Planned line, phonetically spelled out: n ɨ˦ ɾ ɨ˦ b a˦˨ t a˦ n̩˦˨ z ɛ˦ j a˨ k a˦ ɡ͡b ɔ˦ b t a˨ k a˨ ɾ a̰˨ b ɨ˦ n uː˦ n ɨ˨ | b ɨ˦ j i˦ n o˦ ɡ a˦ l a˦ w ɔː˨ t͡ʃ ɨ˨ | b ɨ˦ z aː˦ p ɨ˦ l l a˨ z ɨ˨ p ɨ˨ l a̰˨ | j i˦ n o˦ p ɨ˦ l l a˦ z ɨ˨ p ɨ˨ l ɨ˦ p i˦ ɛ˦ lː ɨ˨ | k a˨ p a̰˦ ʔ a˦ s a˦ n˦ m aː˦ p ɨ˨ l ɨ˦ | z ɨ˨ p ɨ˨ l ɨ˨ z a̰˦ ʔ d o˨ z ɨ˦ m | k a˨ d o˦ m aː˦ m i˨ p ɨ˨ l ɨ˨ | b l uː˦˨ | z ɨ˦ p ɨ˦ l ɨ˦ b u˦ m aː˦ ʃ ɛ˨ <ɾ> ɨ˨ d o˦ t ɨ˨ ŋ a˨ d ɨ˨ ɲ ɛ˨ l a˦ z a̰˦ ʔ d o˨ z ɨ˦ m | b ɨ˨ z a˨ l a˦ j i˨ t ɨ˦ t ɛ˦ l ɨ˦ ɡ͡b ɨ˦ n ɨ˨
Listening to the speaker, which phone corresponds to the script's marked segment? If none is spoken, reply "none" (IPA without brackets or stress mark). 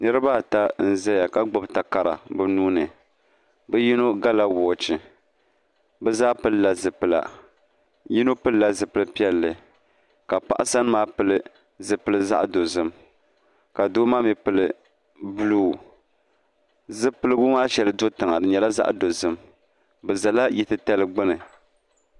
l